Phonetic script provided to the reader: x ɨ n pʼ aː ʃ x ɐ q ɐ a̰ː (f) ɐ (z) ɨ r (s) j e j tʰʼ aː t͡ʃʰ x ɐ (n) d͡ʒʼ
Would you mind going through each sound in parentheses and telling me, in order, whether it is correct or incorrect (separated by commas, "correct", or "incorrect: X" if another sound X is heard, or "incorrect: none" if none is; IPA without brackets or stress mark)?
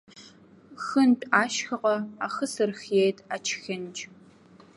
incorrect: x, incorrect: s, incorrect: x, correct